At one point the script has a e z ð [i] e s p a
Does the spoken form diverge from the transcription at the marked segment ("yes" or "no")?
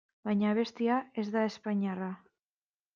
yes